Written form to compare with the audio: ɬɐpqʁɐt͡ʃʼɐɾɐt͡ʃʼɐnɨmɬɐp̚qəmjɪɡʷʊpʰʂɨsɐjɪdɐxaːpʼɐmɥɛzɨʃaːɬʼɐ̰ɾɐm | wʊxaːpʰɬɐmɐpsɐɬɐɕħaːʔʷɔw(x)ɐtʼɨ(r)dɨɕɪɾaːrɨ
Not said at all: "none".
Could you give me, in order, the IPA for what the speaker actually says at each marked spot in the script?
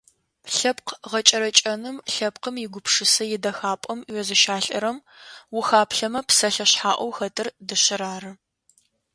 x, r

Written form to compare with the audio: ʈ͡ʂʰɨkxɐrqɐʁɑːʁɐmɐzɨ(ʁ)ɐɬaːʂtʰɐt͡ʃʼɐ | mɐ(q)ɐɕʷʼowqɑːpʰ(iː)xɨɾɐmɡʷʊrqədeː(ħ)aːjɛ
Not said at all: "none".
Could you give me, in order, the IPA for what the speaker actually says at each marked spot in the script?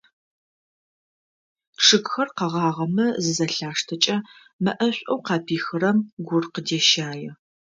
z, ʔ, iː, ʃ

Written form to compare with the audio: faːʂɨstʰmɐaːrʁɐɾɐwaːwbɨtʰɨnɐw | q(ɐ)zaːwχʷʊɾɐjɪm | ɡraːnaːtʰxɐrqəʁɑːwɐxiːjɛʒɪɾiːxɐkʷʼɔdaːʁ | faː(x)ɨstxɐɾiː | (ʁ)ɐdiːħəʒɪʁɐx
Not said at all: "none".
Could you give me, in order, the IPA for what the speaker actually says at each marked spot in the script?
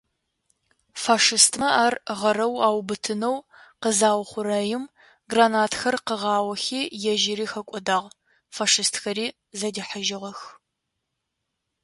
ə, ʂ, z

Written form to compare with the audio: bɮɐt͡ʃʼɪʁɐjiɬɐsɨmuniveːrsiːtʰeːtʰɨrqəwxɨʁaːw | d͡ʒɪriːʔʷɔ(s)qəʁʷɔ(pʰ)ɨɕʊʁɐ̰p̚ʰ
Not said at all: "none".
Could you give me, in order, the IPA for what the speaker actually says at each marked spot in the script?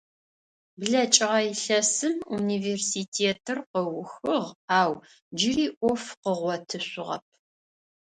f, tʰ

